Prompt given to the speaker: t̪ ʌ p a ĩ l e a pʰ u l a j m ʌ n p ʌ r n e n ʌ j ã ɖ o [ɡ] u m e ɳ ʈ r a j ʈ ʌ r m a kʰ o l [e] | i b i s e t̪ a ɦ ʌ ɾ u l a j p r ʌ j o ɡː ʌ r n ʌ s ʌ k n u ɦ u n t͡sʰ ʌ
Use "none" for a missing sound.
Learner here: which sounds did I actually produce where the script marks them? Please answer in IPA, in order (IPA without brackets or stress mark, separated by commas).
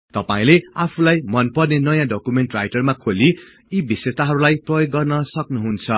k, i